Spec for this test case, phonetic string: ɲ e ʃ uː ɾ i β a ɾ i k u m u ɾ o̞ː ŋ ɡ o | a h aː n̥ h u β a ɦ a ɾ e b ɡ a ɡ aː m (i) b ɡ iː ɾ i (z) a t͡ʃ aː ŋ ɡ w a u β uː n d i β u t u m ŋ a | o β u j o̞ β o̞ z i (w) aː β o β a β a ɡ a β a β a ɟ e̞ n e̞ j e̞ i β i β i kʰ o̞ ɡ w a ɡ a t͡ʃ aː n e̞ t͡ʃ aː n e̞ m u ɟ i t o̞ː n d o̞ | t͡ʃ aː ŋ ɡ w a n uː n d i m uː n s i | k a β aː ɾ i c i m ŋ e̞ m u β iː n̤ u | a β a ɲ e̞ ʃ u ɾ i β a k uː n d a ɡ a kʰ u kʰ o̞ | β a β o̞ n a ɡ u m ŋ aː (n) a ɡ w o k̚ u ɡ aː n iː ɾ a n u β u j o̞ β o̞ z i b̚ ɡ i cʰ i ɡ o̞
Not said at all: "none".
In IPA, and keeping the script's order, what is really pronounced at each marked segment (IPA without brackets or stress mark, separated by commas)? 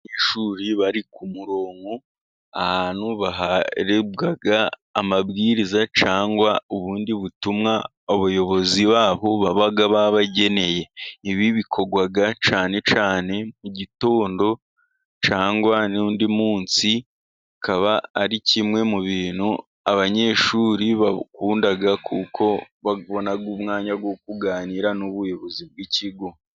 a, z, β, ɲ